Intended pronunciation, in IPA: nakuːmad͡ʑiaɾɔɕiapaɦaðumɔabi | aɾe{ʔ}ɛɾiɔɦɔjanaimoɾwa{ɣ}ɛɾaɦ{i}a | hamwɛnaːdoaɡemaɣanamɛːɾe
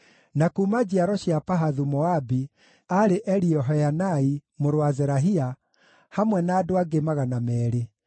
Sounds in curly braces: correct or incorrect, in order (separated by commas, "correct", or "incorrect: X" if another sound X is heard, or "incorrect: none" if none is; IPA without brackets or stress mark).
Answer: correct, incorrect: z, correct